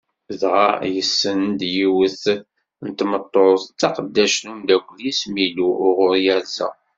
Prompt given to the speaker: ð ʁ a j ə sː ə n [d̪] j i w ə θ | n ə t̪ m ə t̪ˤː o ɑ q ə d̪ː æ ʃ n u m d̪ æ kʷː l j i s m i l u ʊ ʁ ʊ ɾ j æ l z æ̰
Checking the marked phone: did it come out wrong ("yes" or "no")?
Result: no